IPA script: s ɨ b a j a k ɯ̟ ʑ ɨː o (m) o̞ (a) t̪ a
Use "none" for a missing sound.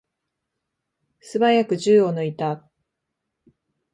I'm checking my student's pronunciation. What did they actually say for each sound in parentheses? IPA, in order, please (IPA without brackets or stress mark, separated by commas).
n, i